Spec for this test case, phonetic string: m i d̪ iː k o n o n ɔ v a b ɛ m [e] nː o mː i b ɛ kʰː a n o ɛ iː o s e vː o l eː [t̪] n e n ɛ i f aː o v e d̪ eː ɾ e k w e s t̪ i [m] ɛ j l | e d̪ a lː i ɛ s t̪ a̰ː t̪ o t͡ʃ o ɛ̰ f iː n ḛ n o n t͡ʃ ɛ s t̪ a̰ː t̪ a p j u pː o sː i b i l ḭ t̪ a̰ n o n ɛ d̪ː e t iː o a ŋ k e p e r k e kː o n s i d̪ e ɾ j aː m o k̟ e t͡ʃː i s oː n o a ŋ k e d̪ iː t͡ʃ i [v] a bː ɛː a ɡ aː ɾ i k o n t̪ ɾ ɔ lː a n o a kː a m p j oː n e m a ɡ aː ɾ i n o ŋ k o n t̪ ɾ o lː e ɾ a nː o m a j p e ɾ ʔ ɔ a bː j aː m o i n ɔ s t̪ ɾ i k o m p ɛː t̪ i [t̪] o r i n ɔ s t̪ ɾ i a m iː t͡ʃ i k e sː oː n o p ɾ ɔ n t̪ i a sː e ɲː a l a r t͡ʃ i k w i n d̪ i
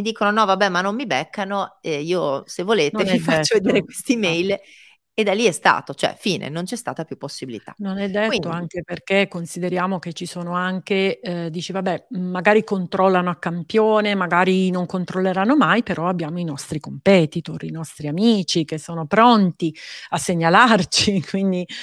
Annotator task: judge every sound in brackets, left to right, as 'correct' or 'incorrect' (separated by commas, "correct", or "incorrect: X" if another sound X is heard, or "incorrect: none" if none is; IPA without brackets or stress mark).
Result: incorrect: a, correct, correct, correct, correct